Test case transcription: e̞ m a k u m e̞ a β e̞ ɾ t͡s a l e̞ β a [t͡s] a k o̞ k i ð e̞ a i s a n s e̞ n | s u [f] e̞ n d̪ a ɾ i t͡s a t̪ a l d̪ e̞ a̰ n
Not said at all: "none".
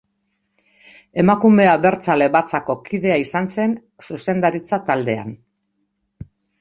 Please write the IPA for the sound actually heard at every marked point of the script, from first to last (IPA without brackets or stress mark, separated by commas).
t͡s, s